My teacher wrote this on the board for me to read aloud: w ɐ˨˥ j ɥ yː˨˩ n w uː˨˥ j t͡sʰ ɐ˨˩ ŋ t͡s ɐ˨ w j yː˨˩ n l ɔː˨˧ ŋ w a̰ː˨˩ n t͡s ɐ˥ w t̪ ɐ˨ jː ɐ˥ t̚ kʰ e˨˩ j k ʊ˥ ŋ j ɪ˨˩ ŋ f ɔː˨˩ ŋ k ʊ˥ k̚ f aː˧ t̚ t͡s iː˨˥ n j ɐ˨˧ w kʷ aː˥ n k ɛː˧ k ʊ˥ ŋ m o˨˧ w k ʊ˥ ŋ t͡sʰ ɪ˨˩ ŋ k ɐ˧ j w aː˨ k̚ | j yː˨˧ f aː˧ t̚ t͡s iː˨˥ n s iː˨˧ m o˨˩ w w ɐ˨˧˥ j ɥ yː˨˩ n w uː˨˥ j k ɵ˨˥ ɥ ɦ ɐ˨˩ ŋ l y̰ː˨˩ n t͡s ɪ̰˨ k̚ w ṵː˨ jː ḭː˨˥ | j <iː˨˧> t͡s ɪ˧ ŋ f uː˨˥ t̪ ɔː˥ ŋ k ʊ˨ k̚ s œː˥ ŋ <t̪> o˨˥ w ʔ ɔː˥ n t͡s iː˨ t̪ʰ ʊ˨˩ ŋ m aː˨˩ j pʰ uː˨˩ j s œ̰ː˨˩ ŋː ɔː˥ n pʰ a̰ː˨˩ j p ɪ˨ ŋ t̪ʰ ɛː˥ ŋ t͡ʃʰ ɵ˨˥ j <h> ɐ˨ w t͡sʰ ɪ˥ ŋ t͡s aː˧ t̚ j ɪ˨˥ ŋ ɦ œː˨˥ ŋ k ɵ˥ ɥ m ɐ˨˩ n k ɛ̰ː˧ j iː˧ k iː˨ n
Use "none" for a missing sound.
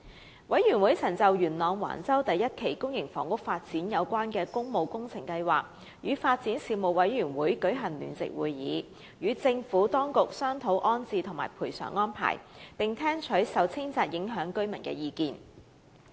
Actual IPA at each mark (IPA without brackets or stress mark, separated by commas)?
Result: yː˨˧, t̪ʰ, s